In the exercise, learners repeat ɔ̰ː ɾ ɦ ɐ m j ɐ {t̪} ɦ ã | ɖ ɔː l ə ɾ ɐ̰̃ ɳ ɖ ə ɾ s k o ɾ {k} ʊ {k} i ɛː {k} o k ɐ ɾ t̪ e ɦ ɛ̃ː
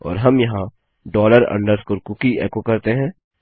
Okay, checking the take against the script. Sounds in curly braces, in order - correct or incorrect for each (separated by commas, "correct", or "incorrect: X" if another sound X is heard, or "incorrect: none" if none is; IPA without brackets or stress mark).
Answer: incorrect: none, correct, correct, correct